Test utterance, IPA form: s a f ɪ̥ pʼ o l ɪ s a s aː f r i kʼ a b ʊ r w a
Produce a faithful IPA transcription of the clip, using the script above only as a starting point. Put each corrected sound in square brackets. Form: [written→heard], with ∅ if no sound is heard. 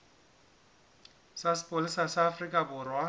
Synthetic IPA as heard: s a [f→s] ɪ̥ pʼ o l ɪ s a s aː f r i kʼ a b ʊ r w a